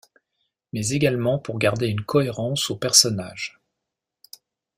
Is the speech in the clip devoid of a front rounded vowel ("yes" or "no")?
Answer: no